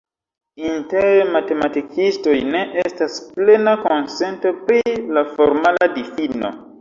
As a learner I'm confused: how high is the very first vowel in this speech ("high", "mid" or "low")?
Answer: high